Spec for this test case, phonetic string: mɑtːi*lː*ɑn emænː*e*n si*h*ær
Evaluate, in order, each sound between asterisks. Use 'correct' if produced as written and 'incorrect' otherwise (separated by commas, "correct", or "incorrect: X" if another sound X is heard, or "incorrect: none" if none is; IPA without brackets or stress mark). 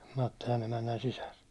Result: incorrect: l, incorrect: æ, incorrect: s